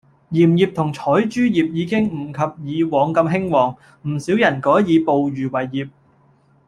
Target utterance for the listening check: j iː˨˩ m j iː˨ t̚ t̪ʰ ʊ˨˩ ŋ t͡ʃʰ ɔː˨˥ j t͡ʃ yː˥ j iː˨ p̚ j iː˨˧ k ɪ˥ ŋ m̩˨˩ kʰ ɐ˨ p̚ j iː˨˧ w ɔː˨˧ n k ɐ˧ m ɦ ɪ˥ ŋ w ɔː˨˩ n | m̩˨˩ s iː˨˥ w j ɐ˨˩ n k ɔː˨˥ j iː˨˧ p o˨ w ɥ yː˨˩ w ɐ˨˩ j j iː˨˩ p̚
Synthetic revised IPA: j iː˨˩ m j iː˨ p̚ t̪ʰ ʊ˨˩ ŋ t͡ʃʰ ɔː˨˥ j t͡ʃ yː˥ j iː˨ p̚ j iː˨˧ k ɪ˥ ŋ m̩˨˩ kʰ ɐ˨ p̚ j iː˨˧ w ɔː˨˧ ŋ k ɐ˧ m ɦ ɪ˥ ŋ w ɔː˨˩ ŋ | m̩˨˩ s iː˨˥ w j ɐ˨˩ n k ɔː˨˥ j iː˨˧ p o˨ w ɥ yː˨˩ w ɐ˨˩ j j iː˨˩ p̚